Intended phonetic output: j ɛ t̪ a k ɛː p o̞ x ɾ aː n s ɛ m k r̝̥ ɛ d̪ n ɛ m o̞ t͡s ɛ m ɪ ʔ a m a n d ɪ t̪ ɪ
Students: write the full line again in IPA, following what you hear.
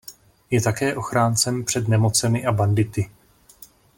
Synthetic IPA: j ɛ t̪ a k ɛː ʔ o̞ x ɾ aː n t͡s ɛ m p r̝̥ ɛ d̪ n ɛ m o̞ t͡s ɛ m ɪ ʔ a b a n d ɪ t̪ ɪ